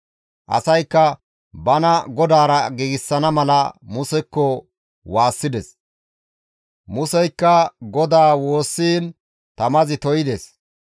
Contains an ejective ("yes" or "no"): no